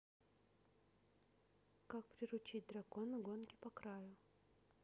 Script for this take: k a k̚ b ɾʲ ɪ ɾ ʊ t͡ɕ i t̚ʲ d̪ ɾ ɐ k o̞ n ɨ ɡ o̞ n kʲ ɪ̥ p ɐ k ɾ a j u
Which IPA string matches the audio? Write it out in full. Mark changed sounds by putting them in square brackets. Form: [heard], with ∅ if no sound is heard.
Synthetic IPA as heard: k a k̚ [p] ɾʲ ɪ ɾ ʊ t͡ɕ i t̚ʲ d̪ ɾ ɐ k o̞ n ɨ ɡ o̞ n kʲ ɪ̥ p ɐ k ɾ a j [ʊ]